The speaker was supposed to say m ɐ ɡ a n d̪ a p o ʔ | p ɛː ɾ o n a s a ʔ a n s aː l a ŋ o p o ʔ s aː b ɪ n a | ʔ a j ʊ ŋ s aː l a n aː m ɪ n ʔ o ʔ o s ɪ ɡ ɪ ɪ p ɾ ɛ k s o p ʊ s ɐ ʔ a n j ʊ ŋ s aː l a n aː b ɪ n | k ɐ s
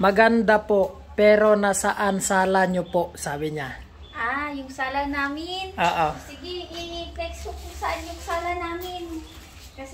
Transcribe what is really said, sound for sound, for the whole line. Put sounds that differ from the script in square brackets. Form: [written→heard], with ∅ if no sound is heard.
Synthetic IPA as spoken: m ɐ ɡ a n d̪ a p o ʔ | p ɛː ɾ o n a s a ʔ a n s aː l a [ŋ→ɲ] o p o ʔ s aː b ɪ [n→ɲ] a | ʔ a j ʊ ŋ s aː l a n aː m ɪ n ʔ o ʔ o s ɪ ɡ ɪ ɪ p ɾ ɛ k s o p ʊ s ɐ ʔ a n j ʊ ŋ s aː l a n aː [b→m] ɪ n | k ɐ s

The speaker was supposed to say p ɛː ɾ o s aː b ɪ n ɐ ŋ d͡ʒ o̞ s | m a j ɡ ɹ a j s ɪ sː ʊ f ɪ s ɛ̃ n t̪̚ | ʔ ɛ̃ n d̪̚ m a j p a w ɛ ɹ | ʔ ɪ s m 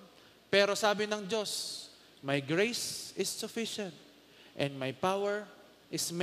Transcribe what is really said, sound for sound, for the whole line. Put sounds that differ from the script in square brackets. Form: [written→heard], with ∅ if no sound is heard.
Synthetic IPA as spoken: p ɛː ɾ o s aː b ɪ n ɐ ŋ d͡ʒ o̞ s | m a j ɡ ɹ [a→e] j s ɪ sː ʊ f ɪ [s→ʃ] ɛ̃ n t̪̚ | ʔ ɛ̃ n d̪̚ m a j p a w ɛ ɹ | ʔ ɪ s m

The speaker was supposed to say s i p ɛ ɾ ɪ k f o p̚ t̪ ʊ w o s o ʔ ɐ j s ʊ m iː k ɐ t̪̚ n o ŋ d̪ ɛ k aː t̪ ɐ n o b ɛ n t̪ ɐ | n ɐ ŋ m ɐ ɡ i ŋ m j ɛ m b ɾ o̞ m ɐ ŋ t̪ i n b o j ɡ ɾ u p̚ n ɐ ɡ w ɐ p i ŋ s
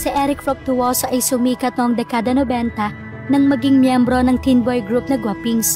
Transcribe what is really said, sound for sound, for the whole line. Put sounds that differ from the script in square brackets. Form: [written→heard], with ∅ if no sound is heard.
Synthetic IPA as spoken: s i [p→ʔ] ɛ ɾ ɪ k f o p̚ t̪ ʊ w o s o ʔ ɐ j s ʊ m iː k ɐ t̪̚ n o ŋ d̪ ɛ k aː [t̪→d̪] ɐ n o b ɛ n t̪ ɐ | n ɐ ŋ m ɐ ɡ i ŋ m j ɛ m b ɾ o̞ [m→n] ɐ ŋ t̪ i n b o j ɡ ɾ u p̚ n ɐ ɡ w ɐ p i ŋ s

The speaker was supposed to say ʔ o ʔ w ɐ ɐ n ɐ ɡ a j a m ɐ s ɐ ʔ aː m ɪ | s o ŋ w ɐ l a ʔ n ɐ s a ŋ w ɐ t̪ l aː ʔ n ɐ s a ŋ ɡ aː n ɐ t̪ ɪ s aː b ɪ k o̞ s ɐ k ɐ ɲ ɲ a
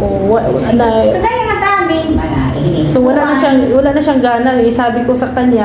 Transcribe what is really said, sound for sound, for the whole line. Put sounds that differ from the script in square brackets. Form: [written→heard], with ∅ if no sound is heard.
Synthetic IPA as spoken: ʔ o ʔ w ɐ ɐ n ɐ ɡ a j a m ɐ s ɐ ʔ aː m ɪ | s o [ŋ→∅] w ɐ l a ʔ n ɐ [s→ʃ] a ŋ w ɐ [t̪→∅] l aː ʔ n ɐ [s→ʃ] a ŋ ɡ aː n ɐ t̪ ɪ s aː b ɪ k o̞ s ɐ k ɐ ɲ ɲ a

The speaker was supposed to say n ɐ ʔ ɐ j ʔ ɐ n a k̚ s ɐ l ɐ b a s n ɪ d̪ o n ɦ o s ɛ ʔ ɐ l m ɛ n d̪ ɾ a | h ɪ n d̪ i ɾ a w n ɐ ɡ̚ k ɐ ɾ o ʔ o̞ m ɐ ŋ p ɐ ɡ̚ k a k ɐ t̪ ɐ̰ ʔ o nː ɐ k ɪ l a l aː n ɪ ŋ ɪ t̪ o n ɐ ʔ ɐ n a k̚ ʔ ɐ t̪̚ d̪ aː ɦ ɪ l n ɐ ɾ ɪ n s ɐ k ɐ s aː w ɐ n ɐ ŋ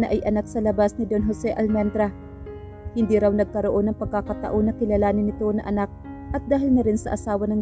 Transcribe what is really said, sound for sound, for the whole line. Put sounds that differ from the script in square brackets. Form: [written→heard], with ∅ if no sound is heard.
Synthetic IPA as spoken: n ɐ ʔ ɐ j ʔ ɐ n a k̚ s ɐ l ɐ b a s n ɪ d̪ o n ɦ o s ɛ ʔ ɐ l m ɛ n d̪ ɾ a | h ɪ n d̪ i ɾ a w n ɐ ɡ̚ k ɐ ɾ o ʔ o̞ [m→n] ɐ ŋ p ɐ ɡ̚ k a k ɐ t̪ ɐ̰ ʔ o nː ɐ k ɪ l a l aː n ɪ [ŋ→n] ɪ t̪ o n ɐ ʔ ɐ n a k̚ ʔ ɐ t̪̚ d̪ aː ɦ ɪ l n ɐ ɾ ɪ n s ɐ [k→ʔ] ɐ s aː w ɐ n ɐ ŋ

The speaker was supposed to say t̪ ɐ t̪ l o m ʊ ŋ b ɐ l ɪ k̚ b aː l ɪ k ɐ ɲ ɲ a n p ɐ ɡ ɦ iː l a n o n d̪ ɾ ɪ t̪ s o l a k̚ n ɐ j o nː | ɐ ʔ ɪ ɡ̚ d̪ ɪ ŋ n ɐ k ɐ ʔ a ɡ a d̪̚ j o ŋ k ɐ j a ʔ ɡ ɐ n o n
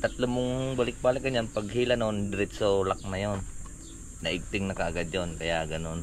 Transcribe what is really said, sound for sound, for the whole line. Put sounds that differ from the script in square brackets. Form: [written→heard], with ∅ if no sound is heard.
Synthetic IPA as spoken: t̪ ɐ t̪ l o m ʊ ŋ b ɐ l ɪ k̚ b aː l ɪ k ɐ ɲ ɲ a n p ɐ ɡ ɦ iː l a n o n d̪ ɾ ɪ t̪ s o l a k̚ n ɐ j o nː | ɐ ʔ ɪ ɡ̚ [d̪→t̪] ɪ ŋ n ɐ k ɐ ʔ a ɡ a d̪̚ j o [ŋ→n] k ɐ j a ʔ ɡ ɐ n o n

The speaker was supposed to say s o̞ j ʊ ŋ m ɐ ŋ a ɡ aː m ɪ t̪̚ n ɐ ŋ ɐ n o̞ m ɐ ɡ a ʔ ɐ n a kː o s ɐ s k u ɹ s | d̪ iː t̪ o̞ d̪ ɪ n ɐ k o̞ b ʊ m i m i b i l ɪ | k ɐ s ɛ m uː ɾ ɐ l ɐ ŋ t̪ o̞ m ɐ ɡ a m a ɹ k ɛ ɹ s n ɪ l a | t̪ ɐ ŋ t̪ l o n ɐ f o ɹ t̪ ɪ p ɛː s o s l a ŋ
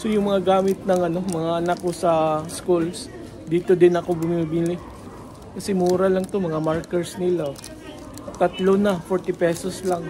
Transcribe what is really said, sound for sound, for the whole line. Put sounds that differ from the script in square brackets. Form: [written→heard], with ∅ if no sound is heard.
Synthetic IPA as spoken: s o̞ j ʊ ŋ m ɐ ŋ a ɡ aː m ɪ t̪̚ n ɐ ŋ ɐ n o̞ m ɐ [ɡ→ŋ] a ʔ ɐ n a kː o s ɐ s k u [ɹ→l] s | d̪ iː t̪ o̞ d̪ ɪ n ɐ k o̞ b ʊ m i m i b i l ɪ | k ɐ s ɛ m uː ɾ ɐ l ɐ ŋ t̪ o̞ m ɐ [ɡ→ŋ] a m a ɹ k ɛ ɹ s n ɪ l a | t̪ ɐ [ŋ→∅] t̪ l o n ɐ f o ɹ t̪ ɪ p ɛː s o s l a ŋ

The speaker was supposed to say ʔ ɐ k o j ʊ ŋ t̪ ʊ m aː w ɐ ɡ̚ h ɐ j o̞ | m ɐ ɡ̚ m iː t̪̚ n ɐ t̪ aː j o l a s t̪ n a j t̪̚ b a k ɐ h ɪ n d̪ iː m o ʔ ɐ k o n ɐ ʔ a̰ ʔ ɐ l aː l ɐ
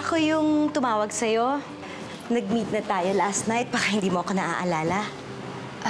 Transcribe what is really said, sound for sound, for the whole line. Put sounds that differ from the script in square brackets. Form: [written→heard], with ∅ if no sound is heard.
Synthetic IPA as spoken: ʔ ɐ k o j ʊ ŋ t̪ ʊ m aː w ɐ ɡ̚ [h→s] ɐ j o̞ | [m→n] ɐ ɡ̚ m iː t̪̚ n ɐ t̪ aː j o l a s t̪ n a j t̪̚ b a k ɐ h ɪ n d̪ iː m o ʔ ɐ k o n ɐ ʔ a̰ ʔ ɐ l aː l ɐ

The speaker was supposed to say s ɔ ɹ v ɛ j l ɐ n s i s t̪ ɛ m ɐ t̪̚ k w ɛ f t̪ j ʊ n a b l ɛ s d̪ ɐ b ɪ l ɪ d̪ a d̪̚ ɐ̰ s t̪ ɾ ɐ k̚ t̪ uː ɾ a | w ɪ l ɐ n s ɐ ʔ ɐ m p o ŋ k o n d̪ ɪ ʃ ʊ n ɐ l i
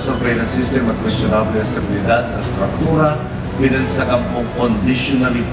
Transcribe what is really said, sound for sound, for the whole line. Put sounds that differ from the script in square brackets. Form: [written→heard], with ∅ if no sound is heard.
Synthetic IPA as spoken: s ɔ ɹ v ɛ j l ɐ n s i s t̪ ɛ m ɐ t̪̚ k w ɛ [f→s] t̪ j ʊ n a b l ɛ s [d̪→t̪] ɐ b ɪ l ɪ d̪ a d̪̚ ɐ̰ s t̪ ɾ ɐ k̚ t̪ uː ɾ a | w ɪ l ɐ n s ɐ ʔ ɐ m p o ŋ k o n d̪ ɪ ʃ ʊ n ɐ l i

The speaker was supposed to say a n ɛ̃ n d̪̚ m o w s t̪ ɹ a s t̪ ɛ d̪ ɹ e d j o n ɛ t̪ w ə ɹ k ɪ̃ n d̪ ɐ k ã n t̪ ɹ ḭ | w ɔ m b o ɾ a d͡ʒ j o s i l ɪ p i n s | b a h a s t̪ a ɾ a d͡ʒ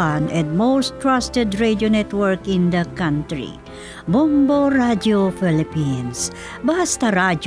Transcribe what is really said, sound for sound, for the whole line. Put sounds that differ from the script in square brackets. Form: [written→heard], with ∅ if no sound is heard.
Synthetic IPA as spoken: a n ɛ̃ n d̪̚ m o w s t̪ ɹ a s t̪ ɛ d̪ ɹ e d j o n ɛ t̪ w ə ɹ k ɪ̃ n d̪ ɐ k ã n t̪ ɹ ḭ | [w→b] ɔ m b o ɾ a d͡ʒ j o [s→f] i l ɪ p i n s | b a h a s t̪ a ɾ a d͡ʒ

